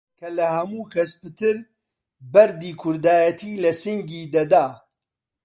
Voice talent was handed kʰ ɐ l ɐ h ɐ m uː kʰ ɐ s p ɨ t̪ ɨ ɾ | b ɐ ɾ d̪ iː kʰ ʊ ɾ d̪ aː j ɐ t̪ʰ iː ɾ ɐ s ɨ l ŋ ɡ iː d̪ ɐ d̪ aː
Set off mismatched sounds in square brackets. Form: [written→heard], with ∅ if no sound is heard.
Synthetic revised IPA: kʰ ɐ l ɐ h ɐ m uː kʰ ɐ s p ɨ t̪ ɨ ɾ | b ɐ ɾ d̪ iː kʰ ʊ ɾ d̪ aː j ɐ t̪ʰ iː [ɾ→l] ɐ s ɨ [l→∅] ŋ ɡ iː d̪ ɐ d̪ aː